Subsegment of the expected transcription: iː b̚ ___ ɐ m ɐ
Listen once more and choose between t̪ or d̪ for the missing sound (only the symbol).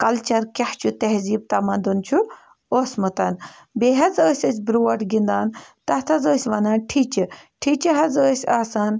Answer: t̪